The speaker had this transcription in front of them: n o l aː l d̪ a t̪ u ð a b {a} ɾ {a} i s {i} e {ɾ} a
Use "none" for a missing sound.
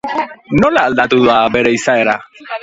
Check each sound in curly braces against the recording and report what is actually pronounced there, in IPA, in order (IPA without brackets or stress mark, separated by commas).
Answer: e, e, a, ɾ